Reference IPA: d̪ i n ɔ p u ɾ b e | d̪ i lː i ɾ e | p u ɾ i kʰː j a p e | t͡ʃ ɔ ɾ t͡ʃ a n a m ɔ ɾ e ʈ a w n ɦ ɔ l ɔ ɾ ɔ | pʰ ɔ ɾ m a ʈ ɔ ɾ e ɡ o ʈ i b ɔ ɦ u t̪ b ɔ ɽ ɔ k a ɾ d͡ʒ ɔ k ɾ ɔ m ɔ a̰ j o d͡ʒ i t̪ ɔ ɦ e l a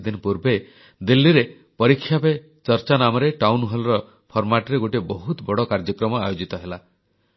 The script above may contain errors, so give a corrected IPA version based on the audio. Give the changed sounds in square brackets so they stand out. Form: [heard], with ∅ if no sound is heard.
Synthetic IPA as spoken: d̪ i n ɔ p u ɾ b e | d̪ i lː i ɾ e | p [ɔ] ɾ i kʰː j a p e | t͡ʃ ɔ ɾ t͡ʃ a n a m ɔ ɾ e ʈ a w n ɦ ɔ l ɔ ɾ ɔ | pʰ ɔ ɾ m a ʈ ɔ ɾ e ɡ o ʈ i b ɔ ɦ u t̪ b ɔ ɽ ɔ k a ɾ d͡ʒ ɔ k ɾ ɔ m ɔ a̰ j o d͡ʒ i t̪ ɔ ɦ e l a